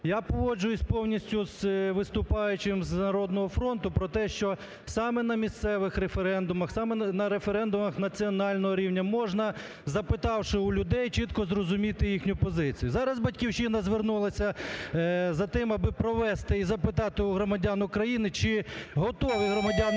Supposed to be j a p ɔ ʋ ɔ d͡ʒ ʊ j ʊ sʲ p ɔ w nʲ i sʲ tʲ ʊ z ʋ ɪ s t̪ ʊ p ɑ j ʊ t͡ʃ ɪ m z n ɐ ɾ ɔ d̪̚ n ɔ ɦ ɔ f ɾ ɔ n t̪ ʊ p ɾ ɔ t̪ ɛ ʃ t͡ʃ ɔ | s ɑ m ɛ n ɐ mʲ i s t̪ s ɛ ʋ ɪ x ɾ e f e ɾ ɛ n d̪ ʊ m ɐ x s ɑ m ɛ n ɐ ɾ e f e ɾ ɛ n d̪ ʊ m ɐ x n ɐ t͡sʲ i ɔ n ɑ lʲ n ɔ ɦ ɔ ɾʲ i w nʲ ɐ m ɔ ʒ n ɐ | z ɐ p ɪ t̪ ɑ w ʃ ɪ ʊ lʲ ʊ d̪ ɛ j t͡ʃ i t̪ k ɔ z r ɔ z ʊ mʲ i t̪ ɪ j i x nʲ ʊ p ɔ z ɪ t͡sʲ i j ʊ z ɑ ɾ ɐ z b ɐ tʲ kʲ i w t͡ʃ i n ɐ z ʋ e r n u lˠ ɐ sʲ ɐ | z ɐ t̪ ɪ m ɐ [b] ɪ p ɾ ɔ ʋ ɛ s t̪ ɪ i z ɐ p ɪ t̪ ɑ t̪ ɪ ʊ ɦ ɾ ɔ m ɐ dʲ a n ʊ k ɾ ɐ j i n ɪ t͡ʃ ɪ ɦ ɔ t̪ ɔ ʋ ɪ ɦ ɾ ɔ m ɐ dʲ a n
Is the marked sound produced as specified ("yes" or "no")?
yes